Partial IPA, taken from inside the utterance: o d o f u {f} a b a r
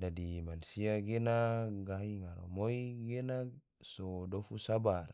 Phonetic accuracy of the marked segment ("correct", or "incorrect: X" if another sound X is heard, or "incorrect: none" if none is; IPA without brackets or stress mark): incorrect: s